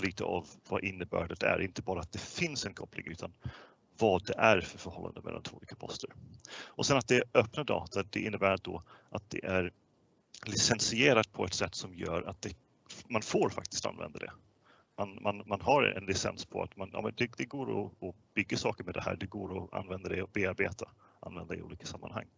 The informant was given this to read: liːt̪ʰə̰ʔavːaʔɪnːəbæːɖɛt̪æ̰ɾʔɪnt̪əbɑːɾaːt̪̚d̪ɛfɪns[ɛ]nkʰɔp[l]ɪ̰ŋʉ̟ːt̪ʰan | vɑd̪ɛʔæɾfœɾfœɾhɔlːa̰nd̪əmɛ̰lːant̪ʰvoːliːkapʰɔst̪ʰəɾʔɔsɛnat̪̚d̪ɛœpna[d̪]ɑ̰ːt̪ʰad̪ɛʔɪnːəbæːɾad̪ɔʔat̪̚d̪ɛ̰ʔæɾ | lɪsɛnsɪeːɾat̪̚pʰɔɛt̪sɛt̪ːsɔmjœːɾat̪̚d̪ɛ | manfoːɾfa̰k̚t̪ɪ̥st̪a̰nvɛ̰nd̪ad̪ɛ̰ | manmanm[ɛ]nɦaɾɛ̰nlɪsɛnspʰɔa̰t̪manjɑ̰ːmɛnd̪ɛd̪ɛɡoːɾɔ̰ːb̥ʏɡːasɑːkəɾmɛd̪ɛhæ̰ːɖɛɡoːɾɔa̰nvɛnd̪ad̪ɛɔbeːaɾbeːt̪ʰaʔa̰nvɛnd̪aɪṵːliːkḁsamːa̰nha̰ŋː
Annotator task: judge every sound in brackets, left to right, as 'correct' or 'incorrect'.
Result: correct, correct, correct, incorrect: a

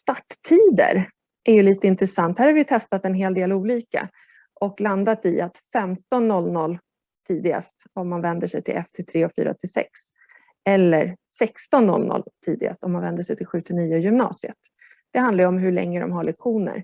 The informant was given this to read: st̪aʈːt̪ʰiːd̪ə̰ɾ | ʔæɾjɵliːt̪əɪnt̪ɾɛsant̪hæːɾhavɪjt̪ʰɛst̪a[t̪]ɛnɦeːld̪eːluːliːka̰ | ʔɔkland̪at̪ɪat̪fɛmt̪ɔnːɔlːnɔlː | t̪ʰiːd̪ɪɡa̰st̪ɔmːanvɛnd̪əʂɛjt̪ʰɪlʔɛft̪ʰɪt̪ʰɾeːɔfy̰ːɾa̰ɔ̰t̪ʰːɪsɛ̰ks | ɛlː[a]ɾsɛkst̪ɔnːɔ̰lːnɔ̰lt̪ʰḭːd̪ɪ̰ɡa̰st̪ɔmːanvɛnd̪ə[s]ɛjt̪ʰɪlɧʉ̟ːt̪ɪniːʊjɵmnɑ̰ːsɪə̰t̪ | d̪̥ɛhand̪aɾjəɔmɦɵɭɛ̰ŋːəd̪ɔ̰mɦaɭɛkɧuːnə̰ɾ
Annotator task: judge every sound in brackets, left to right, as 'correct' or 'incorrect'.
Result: correct, incorrect: ə, incorrect: ʂ

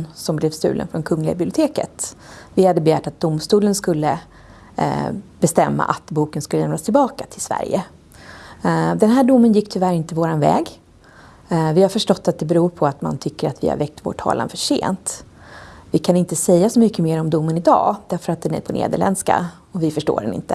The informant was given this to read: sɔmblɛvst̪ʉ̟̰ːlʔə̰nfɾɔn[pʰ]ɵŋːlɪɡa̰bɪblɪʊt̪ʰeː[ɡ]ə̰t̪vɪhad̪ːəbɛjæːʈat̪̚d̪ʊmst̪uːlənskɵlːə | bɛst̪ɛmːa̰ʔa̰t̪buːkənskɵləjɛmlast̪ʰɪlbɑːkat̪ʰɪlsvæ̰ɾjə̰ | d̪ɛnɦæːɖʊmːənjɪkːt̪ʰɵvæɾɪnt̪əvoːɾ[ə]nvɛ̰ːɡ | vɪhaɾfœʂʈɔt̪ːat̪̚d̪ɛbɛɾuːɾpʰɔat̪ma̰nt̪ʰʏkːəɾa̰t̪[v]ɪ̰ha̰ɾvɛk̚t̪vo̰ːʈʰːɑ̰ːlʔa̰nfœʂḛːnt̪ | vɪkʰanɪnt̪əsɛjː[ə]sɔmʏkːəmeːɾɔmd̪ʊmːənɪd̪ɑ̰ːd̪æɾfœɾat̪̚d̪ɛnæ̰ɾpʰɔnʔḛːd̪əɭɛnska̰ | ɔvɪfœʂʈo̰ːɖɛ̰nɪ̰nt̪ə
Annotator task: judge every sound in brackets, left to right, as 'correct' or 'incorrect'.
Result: incorrect: kʰ, incorrect: k, incorrect: a, correct, incorrect: a

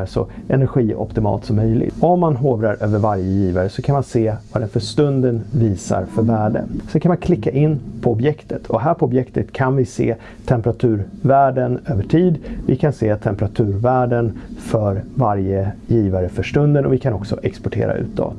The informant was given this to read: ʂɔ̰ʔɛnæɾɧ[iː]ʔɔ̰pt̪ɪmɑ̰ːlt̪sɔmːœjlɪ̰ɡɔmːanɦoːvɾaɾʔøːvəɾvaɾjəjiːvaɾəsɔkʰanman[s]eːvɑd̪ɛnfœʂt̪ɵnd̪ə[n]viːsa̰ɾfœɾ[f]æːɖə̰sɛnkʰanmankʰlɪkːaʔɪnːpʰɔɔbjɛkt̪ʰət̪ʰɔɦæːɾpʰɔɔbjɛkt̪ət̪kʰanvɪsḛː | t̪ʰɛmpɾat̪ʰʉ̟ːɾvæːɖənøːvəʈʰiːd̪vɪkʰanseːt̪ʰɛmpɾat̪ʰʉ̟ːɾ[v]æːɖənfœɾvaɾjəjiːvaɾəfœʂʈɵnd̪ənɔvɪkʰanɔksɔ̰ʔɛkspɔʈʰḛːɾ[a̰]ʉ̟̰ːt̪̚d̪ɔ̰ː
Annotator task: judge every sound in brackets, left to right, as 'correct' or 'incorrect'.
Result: correct, correct, correct, incorrect: v, correct, correct

